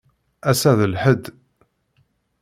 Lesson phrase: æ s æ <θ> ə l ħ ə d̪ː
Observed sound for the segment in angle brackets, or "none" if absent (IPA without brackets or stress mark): ð